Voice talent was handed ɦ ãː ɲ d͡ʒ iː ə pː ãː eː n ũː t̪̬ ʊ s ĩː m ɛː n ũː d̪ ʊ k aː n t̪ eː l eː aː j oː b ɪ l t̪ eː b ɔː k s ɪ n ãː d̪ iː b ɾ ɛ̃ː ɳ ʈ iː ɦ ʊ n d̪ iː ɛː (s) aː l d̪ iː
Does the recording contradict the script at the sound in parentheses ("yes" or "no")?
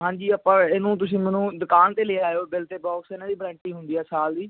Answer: no